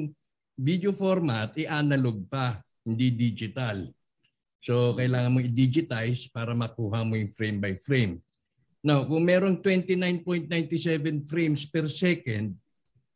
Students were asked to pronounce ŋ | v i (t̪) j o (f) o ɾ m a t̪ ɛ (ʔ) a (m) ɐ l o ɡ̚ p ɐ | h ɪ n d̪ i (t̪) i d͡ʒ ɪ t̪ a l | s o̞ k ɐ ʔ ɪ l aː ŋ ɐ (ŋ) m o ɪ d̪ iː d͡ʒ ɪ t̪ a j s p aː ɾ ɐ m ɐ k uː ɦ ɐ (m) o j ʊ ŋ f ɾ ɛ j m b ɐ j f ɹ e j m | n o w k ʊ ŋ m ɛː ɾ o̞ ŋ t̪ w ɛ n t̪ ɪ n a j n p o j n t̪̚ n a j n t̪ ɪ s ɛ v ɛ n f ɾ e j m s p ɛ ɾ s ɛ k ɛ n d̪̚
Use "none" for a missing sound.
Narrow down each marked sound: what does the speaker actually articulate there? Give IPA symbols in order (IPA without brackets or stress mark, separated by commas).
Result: d̪, f, ʔ, n, d̪, n, m